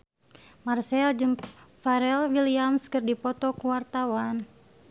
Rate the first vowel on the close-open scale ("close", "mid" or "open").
open